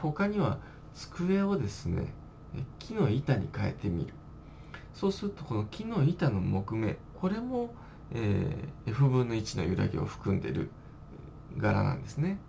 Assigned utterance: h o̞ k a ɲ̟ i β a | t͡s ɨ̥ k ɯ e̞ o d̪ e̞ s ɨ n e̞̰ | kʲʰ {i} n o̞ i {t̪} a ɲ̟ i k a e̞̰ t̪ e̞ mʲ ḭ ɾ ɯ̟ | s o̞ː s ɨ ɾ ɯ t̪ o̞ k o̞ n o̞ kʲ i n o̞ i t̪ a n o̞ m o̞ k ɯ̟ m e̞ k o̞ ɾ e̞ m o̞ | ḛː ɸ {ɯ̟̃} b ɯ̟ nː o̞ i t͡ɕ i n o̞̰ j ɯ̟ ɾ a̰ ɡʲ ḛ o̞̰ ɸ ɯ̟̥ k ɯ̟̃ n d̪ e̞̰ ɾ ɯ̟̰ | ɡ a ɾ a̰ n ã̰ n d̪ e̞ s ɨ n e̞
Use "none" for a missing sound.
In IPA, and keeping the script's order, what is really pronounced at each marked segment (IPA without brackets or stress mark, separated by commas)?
i, t̪, ɯ̟